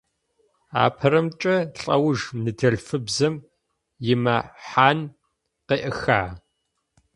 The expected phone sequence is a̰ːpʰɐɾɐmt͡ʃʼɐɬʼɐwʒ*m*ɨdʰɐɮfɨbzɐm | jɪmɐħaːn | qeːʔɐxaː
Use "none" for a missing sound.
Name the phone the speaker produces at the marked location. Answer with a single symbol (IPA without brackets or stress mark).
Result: n